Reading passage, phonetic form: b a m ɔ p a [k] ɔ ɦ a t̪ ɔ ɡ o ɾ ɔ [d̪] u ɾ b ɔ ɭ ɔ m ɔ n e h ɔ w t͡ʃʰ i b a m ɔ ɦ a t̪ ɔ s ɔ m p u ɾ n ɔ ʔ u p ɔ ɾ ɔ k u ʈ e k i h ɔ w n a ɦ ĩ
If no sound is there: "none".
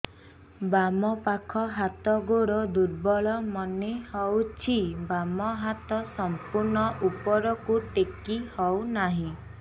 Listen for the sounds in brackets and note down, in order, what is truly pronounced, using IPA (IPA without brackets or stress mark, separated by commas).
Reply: kʰ, d̪